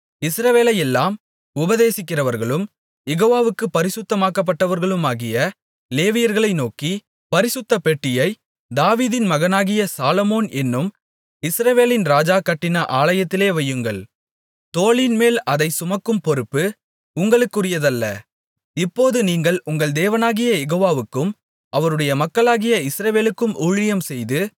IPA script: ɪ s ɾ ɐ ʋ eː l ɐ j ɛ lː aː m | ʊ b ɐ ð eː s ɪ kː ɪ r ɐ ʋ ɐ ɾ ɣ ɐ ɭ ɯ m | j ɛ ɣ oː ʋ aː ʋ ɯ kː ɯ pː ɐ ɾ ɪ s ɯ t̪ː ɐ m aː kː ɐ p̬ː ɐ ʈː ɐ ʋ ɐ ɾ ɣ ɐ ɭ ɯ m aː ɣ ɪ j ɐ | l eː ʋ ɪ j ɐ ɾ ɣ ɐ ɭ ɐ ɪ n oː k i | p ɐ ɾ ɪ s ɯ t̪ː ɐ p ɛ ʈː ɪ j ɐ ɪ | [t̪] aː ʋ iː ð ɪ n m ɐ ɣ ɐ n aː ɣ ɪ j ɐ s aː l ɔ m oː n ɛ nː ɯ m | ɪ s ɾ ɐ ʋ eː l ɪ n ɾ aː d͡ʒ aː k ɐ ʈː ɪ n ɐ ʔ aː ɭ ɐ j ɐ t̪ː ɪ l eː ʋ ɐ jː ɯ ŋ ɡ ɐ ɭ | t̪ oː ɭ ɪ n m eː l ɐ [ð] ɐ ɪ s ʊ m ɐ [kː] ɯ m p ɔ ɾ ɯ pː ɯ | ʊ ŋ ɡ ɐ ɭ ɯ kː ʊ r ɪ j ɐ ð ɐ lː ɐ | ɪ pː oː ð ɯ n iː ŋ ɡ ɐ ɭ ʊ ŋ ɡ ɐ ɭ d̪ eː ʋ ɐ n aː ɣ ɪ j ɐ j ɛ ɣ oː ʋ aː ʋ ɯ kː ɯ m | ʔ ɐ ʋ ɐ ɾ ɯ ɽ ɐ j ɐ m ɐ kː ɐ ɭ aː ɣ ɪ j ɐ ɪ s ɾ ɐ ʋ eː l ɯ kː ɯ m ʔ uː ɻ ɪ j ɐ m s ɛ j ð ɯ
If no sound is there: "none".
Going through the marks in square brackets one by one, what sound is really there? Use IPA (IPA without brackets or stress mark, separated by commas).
d̪, ð, kː